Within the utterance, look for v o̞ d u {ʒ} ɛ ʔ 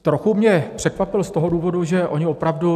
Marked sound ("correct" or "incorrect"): correct